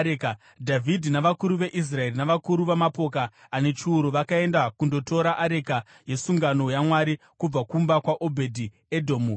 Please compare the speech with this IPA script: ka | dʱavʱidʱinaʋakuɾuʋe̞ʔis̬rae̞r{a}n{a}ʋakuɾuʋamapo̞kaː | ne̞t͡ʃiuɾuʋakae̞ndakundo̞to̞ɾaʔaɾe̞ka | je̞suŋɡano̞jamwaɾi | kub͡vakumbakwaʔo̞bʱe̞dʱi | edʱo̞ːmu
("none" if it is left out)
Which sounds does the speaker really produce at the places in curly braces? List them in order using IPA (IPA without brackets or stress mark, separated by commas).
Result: i, a